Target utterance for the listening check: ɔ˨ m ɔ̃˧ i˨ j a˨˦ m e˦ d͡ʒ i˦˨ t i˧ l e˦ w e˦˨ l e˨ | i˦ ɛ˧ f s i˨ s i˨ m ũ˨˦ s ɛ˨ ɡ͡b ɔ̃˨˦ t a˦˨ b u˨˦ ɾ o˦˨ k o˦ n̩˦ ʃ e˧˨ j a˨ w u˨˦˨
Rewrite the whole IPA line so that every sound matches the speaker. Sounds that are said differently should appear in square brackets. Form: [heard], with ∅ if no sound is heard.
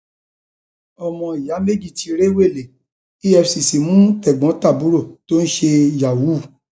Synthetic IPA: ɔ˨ m ɔ̃˧ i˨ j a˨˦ m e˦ d͡ʒ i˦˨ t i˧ [ɾ] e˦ w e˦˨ l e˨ | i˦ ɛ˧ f s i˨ s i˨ m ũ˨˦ [t] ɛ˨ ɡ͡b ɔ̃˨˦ t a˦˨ b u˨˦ ɾ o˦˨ [t] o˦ n̩˦ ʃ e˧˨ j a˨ w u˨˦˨